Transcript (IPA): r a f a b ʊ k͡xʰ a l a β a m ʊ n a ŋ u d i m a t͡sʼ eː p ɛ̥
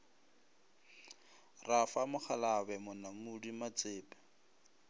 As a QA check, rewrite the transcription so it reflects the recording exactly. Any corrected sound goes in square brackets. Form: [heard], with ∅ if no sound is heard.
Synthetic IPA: r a f a [m] ʊ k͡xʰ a l a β [ɛ] m ʊ n a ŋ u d i m a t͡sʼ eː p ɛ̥